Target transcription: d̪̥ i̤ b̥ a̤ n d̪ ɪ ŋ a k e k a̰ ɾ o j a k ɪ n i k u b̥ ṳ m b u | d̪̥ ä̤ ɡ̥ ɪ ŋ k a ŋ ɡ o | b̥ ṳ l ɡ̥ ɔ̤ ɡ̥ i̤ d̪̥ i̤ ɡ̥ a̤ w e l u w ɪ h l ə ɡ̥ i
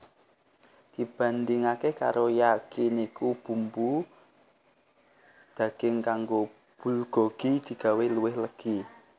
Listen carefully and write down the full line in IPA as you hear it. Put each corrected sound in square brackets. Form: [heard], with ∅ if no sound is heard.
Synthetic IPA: d̪̥ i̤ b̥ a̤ n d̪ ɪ ŋ a k e k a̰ ɾ o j a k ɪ n i k u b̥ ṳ m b u | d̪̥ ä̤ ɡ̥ ɪ ŋ k a ŋ ɡ o | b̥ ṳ l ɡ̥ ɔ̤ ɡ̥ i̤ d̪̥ i̤ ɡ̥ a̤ w e l u w ɪ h l ə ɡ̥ i

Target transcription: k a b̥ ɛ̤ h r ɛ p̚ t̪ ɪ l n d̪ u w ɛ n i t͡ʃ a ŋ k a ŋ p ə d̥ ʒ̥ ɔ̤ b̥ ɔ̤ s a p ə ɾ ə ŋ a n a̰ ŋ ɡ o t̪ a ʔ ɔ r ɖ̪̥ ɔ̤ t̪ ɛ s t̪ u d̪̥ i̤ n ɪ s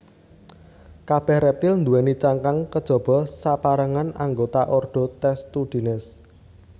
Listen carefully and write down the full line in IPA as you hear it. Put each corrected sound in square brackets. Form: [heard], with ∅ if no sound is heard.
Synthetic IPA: k a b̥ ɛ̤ h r ɛ p̚ t̪ ɪ l n d̪ u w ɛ n i t͡ʃ a ŋ k a ŋ [k] ə d̥ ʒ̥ ɔ̤ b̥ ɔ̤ s a p [a] ɾ ə ŋ a n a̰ ŋ ɡ o t̪ a ʔ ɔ r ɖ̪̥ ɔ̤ t̪ ɛ s t̪ u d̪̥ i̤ n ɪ s

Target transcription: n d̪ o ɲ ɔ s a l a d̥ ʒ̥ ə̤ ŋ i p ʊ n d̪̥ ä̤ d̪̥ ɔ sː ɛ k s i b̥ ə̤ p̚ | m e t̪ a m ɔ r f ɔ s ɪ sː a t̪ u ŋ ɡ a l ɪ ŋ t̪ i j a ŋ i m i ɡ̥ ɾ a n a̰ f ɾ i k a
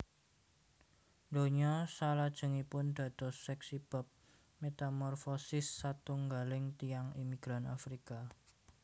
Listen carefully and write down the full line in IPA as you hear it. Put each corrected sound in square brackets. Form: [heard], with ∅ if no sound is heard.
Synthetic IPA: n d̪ o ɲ ɔ s a l a d̥ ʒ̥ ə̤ ŋ i p ʊ n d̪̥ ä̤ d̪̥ ɔ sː ɛ k s i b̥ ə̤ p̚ | m e t̪ a m ɔ r f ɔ s ɪ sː a t̪ u ŋ ɡ a l ɪ ŋ t̪ i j a ŋ i m i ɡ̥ ɾ a n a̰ f ɾ i k a

